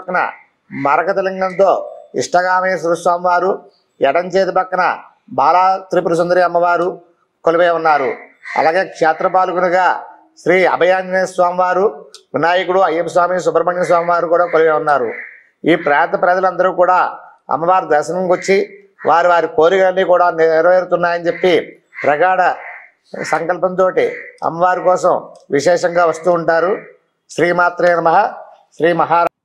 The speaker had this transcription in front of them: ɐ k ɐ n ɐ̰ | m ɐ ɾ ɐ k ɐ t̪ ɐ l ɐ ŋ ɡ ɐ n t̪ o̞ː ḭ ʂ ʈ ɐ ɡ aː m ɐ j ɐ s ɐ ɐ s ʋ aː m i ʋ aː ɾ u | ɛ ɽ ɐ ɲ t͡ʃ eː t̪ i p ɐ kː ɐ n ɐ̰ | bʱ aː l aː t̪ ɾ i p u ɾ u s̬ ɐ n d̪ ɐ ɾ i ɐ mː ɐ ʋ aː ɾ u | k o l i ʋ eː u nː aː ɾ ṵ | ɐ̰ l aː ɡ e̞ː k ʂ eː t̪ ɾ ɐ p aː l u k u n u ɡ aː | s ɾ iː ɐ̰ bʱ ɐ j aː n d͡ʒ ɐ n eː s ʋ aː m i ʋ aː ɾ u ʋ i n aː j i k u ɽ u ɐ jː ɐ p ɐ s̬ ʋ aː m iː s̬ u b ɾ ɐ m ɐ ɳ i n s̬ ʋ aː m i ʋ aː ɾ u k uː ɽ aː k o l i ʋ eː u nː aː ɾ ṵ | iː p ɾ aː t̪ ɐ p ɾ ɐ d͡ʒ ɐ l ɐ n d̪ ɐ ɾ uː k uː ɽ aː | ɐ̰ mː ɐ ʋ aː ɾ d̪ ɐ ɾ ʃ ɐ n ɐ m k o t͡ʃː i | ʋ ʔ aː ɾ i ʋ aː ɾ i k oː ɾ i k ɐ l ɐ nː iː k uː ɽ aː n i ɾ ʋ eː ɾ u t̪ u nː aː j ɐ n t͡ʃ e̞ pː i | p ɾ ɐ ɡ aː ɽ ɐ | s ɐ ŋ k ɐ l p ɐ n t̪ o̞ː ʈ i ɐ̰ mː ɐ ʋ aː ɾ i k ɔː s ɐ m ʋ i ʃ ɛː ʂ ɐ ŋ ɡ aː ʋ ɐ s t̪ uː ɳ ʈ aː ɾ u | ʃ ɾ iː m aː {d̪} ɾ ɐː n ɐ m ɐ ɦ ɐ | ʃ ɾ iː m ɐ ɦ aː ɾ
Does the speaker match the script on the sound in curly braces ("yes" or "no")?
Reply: no